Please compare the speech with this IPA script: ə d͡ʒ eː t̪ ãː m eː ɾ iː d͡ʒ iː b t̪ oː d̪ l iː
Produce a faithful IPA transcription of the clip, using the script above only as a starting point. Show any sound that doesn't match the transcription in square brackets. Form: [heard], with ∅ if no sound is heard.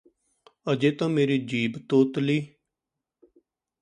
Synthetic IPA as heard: ə d͡ʒ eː t̪ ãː m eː ɾ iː d͡ʒ iː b t̪ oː [t̪] l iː